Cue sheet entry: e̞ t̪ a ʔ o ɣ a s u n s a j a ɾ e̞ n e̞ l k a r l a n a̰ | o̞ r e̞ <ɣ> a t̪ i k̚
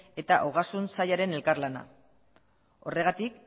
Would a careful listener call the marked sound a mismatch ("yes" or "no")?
no